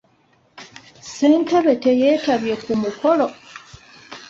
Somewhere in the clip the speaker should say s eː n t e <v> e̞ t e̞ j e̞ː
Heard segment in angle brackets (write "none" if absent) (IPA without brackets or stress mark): β